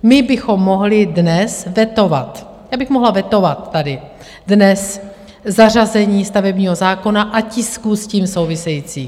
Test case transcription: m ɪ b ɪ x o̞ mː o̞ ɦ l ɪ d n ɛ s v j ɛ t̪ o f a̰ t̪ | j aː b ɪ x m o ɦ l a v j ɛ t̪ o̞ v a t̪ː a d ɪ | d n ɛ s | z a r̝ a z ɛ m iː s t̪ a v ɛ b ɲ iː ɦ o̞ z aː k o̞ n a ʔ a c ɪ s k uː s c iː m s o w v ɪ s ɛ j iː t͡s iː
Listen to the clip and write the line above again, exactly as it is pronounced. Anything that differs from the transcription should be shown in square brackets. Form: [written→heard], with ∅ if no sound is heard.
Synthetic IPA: m ɪ b ɪ x o̞ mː o̞ ɦ l ɪ d n ɛ s v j ɛ t̪ o [f→v] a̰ t̪ | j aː b ɪ x m o ɦ l a v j ɛ t̪ o̞ v a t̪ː a d ɪ | d n ɛ s | z a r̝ a z ɛ [m→ɲ] iː s t̪ a v ɛ b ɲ iː ɦ o̞ z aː k o̞ n a ʔ a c ɪ s k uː s c iː m s o w v ɪ s ɛ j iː t͡s iː